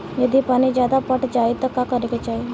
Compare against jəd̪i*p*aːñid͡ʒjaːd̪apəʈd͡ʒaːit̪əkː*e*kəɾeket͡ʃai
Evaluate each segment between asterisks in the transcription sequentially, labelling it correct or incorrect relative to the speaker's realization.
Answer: correct, incorrect: a

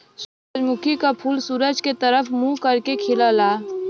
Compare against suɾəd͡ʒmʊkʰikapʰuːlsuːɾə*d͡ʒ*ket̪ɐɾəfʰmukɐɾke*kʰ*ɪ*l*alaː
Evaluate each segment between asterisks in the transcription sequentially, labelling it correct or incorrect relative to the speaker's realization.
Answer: correct, correct, correct

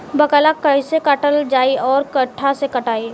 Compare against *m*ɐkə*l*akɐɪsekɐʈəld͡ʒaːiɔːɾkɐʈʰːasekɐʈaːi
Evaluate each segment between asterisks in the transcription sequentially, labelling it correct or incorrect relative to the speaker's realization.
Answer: incorrect: b, correct

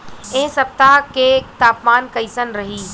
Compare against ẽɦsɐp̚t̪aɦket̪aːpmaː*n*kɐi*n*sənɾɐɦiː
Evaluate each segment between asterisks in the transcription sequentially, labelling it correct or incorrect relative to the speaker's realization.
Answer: correct, incorrect: none

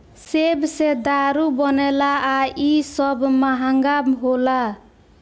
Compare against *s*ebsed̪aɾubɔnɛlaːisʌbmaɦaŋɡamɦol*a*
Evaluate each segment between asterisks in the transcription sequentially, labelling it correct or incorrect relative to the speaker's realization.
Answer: correct, correct

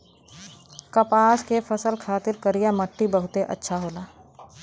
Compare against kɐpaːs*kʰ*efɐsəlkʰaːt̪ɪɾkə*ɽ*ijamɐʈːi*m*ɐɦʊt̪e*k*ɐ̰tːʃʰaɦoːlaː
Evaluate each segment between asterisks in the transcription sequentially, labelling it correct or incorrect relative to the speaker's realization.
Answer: incorrect: k, incorrect: ɾ, incorrect: b, incorrect: ʔ

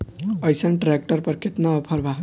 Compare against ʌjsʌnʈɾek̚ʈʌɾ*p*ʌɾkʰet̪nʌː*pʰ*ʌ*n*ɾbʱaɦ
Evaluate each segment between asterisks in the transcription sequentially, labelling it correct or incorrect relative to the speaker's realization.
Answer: correct, correct, incorrect: none

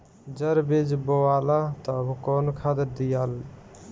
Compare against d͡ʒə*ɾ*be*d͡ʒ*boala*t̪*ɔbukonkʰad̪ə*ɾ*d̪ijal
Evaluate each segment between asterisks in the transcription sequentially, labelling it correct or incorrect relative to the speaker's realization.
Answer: correct, correct, correct, correct

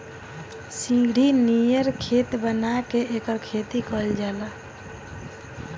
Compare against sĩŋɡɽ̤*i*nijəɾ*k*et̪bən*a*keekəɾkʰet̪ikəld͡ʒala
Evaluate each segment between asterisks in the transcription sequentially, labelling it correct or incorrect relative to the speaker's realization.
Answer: correct, incorrect: kʰ, correct

